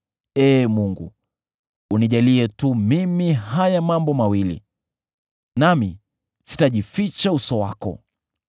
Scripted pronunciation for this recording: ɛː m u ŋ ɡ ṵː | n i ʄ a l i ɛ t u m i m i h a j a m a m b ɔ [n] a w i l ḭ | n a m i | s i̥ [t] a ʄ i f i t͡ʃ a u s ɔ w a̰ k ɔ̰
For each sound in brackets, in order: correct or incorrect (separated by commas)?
incorrect, correct